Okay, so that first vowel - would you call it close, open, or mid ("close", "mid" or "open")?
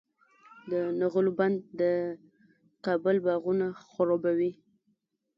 mid